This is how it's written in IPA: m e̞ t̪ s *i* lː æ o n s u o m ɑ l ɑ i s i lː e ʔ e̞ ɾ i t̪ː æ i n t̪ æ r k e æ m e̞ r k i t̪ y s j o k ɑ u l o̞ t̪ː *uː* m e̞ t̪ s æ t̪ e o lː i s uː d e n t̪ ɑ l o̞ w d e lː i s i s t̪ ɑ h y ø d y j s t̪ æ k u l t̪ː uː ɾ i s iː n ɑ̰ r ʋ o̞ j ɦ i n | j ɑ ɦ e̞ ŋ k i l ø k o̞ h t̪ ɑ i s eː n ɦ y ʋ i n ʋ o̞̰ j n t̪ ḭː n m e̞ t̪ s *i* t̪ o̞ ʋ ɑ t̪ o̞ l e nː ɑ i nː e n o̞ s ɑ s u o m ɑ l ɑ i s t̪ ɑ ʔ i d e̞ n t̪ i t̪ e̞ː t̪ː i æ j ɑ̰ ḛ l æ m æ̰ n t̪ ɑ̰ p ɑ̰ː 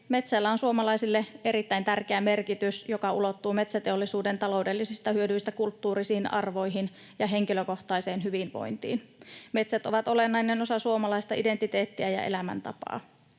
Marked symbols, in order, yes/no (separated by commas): no, yes, no